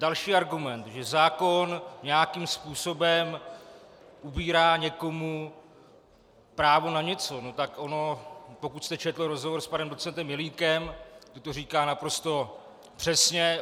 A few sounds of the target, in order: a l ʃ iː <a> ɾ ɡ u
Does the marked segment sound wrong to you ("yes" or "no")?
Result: no